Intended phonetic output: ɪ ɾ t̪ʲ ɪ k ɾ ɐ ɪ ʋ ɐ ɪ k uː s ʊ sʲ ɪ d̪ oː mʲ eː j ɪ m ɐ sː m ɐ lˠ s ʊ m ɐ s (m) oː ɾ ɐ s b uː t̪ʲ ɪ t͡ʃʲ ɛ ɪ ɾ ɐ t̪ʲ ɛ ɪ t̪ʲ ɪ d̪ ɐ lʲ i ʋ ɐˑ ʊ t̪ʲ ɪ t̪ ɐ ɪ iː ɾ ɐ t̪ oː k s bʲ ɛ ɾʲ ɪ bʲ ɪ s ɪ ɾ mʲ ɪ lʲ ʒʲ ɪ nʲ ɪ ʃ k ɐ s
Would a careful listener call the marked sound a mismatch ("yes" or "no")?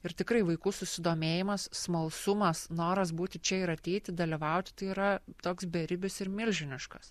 yes